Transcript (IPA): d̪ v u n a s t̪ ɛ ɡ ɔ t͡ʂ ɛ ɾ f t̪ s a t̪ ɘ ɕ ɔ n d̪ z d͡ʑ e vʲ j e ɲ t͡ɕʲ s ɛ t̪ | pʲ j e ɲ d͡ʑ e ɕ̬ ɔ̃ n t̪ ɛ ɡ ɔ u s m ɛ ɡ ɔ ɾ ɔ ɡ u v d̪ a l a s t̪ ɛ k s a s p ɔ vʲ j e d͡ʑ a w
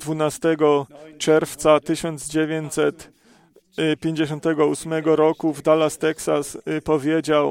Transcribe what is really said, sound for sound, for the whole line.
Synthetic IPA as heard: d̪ v u n a s t̪ ɛ ɡ ɔ t͡ʂ ɛ ɾ f t̪ s a t̪ ɘ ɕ ɔ n d̪ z d͡ʑ e vʲ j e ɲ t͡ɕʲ s ɛ t̪ | pʲ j e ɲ d͡ʑ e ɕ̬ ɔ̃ n t̪ ɛ ɡ ɔ u s m ɛ ɡ ɔ ɾ ɔ k u v d̪ a l a s t̪ ɛ k s a s p ɔ vʲ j e d͡ʑ a w